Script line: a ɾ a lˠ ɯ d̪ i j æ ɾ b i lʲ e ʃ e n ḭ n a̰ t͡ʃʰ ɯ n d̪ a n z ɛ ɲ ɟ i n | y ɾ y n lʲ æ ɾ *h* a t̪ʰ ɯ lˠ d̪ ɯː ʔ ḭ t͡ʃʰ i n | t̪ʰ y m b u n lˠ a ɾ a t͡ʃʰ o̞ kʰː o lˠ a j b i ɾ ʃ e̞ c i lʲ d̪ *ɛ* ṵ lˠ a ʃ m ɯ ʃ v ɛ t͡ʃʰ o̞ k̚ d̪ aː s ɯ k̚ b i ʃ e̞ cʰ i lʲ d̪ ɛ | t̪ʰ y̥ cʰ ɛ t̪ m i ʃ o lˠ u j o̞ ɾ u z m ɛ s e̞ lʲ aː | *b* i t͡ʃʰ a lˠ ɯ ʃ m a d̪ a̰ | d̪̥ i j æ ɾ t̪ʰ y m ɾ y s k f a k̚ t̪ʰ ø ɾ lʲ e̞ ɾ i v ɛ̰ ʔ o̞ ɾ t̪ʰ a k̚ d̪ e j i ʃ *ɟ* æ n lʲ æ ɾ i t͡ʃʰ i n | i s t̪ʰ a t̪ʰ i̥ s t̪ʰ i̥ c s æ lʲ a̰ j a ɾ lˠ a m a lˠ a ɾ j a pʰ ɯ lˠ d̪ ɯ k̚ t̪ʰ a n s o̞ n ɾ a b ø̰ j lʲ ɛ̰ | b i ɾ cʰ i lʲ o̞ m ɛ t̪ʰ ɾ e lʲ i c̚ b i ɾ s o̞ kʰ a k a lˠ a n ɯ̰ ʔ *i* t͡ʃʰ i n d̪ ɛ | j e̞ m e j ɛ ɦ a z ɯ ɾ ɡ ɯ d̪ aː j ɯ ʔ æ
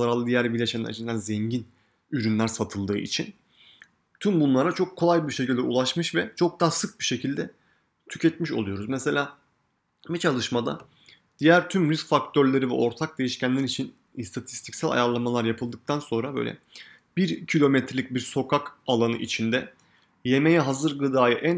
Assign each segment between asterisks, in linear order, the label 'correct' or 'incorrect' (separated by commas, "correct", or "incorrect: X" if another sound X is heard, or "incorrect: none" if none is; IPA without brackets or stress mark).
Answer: incorrect: s, correct, correct, incorrect: c, correct